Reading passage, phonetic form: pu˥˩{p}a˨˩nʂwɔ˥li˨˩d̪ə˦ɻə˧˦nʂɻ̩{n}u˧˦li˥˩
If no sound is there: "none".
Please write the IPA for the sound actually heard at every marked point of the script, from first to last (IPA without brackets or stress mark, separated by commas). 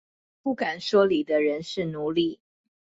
k, n